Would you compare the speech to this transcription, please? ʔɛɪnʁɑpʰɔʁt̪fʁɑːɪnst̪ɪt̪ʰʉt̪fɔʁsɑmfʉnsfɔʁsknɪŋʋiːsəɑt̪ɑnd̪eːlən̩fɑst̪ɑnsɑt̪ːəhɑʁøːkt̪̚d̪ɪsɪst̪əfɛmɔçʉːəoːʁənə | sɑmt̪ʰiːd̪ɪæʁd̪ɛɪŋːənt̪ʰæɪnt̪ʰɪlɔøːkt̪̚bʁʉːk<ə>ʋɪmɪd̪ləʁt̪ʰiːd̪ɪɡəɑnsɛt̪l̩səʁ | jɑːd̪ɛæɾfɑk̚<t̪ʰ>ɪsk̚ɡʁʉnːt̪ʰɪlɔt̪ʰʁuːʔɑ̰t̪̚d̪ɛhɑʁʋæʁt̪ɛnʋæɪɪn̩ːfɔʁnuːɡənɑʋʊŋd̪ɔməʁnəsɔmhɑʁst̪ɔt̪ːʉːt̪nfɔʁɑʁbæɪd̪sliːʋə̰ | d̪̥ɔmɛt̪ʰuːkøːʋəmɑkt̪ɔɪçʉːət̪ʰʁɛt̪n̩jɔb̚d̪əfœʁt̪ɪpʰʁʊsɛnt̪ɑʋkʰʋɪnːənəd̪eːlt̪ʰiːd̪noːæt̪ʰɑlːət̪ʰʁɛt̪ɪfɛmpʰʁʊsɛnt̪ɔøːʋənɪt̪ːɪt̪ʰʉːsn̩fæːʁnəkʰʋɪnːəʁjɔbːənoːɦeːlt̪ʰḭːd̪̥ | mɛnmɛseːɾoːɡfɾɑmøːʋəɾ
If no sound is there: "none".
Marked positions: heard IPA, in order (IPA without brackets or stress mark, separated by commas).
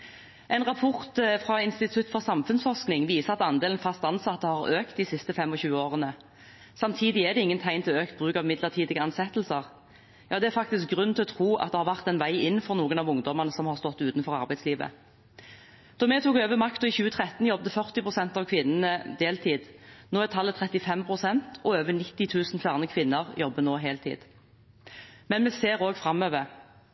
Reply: ɑ, t̪